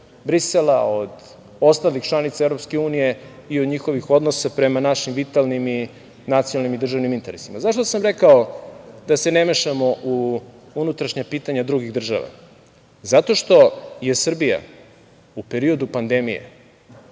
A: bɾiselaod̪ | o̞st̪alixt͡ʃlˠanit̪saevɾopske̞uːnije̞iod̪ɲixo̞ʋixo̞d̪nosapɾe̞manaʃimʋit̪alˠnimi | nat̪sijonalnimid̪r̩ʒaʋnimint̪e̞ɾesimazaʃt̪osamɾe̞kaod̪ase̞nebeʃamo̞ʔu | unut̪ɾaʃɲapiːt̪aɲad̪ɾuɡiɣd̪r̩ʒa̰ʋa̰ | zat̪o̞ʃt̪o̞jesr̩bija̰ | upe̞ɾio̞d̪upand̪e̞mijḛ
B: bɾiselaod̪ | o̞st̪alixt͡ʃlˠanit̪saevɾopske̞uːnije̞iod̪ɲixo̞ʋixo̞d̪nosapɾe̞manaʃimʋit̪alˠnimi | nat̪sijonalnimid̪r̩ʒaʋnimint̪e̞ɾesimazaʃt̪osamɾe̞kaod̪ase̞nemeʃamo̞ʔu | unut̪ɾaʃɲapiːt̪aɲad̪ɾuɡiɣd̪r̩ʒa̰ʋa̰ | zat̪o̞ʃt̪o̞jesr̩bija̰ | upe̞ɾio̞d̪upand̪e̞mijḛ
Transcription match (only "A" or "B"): B